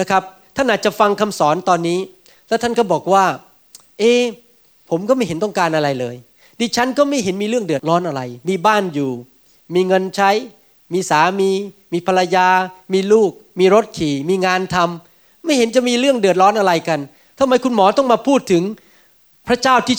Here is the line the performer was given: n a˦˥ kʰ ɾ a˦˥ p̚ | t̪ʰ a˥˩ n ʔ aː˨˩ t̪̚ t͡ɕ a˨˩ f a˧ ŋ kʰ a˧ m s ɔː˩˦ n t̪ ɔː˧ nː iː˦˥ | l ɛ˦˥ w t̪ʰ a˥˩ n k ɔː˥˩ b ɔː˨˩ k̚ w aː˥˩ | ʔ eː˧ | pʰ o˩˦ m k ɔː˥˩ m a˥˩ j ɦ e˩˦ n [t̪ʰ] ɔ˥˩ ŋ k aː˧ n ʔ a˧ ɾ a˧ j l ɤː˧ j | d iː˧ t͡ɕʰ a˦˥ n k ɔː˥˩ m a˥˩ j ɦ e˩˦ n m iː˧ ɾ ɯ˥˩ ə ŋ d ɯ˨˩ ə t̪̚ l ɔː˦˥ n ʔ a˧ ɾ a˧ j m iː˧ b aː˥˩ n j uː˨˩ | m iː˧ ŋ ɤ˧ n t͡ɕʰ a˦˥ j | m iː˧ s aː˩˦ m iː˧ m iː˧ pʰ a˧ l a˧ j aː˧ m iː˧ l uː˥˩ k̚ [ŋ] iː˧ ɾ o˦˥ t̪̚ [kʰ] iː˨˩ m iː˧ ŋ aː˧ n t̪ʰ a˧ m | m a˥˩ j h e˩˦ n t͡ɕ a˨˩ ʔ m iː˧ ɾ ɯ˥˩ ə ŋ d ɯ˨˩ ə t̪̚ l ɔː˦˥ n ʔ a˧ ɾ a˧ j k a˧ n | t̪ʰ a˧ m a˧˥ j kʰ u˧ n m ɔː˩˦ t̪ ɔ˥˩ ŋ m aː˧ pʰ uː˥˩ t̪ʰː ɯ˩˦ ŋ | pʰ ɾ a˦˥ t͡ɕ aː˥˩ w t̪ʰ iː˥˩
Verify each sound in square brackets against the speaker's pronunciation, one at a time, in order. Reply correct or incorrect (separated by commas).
incorrect, incorrect, correct